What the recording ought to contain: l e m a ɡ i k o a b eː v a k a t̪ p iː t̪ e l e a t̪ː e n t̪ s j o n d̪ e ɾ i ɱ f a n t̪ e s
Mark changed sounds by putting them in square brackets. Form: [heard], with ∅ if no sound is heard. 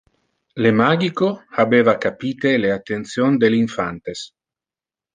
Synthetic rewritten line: l e m a ɡ i k o a b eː v a k a [∅] p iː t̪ e l e a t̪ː e n t̪ s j o n d̪ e [l] i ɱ f a n t̪ e s

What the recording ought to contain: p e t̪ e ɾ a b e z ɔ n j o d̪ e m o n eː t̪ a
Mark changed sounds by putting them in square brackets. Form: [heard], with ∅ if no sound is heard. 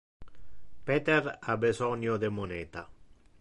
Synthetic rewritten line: p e t̪ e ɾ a b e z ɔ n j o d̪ e m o n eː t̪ a

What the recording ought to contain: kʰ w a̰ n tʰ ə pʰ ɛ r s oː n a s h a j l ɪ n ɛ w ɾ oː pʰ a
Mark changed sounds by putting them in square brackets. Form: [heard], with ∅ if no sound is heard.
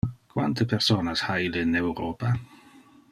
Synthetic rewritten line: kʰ w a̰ n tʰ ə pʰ ɛ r s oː n a s h a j l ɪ n ɛ w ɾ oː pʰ a

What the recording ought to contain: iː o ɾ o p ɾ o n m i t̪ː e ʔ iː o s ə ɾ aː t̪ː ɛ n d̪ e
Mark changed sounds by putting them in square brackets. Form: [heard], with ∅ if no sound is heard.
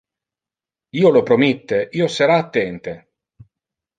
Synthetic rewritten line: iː o [l] o p ɾ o [∅] m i t̪ː e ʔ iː o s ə ɾ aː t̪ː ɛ n [t̪] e

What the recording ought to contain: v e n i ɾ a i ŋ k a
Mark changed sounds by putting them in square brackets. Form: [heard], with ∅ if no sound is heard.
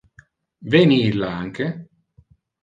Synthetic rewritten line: v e n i [l] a [a] ŋ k [e]

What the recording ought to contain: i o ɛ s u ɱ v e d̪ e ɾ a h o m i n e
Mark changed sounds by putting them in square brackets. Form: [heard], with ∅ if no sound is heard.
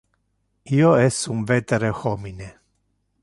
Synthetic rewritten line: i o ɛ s u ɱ v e [t̪] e ɾ [e] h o m i n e

